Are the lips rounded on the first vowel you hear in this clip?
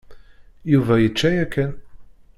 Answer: yes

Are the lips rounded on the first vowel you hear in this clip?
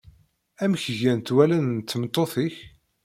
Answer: no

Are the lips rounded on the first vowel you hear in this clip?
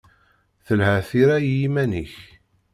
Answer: no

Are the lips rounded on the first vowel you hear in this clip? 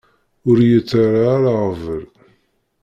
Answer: yes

